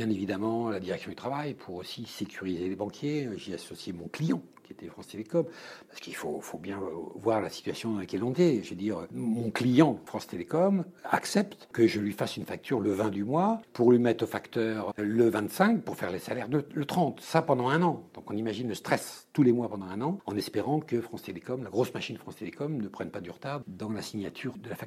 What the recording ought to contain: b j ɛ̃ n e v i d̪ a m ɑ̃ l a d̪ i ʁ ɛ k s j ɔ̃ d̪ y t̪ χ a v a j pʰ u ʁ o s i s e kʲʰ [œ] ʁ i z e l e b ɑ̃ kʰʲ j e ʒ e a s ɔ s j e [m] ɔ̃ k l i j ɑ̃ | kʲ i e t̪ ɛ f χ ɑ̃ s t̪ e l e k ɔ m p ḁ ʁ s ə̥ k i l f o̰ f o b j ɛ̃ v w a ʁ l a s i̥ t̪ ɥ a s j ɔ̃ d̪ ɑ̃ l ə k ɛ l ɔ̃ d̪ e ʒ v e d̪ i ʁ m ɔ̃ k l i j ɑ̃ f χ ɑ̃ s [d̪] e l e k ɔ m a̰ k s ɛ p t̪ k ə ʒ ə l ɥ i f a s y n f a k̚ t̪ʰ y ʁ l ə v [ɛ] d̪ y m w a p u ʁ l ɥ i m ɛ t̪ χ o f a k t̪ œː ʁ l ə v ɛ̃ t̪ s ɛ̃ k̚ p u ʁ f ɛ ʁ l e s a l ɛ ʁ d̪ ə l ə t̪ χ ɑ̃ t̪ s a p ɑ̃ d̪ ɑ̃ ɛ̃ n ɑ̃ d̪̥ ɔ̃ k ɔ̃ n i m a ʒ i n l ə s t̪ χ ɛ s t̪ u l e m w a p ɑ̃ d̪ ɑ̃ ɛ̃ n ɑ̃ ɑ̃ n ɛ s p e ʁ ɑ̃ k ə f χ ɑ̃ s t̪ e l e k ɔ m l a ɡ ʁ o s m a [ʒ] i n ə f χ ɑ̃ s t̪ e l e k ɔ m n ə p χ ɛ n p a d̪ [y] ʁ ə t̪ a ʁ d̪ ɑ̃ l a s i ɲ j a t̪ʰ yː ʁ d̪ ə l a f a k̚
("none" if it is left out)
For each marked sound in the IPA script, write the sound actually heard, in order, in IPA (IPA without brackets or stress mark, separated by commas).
y, m, t̪, ɛ̃, ʃ, y